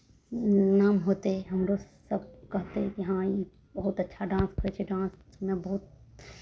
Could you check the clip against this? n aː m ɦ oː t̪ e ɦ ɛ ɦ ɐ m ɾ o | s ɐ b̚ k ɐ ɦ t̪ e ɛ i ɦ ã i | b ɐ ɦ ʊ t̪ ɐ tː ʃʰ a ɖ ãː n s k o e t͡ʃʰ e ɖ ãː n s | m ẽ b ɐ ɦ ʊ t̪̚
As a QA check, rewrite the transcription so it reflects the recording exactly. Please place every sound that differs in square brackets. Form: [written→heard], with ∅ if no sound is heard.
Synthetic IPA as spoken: n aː m ɦ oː t̪ e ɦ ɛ ɦ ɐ m ɾ o | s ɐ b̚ k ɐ ɦ t̪ e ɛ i ɦ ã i | b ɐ ɦ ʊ t̪ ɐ tː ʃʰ a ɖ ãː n s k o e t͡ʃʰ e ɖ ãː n s | m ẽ b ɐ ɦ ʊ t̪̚